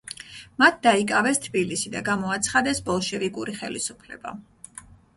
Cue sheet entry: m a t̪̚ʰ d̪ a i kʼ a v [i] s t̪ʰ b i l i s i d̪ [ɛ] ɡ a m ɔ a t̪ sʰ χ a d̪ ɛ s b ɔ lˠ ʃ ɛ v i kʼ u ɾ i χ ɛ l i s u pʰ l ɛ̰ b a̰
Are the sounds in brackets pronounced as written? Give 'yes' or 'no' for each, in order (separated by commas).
no, no